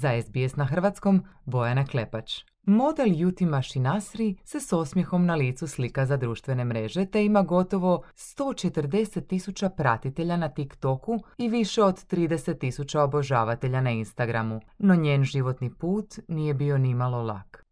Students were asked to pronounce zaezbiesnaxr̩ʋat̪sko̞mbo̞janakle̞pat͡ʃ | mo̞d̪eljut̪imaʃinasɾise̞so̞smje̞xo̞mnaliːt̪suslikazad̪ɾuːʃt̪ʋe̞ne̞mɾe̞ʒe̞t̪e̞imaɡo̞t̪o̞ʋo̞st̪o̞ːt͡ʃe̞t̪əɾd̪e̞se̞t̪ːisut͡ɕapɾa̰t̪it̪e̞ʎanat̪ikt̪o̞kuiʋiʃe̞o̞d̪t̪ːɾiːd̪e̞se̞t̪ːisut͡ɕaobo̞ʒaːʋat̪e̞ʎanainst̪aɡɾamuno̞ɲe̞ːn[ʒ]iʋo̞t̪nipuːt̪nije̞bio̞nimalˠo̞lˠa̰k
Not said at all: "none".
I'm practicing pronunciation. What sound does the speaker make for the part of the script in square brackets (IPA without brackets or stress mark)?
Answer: ʒ